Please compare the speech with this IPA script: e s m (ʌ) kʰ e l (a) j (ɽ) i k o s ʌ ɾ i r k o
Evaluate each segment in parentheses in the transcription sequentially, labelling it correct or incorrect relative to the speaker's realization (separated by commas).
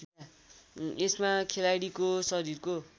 incorrect, correct, correct